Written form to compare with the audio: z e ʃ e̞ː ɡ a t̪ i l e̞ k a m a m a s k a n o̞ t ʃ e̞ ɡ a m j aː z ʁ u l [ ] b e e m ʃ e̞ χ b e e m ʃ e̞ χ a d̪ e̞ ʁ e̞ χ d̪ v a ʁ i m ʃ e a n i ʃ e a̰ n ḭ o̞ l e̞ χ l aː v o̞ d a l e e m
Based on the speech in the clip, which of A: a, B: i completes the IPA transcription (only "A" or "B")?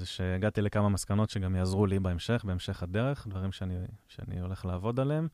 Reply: B